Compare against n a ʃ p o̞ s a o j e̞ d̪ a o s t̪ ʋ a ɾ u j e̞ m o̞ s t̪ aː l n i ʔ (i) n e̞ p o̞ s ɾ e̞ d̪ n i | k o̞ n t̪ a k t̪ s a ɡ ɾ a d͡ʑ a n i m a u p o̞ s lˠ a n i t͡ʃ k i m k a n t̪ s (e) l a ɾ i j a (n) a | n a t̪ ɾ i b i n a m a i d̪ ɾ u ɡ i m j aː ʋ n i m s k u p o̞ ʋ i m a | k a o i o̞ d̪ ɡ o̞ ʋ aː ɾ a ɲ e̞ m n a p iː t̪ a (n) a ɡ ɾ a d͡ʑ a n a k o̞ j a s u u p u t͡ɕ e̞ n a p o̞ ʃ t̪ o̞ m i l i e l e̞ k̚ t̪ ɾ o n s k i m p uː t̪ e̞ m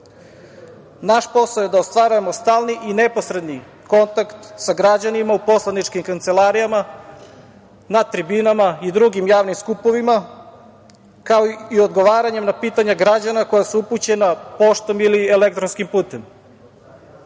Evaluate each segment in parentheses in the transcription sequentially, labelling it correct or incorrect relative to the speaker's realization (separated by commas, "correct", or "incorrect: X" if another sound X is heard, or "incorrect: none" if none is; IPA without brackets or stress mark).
correct, correct, incorrect: m, incorrect: ɲ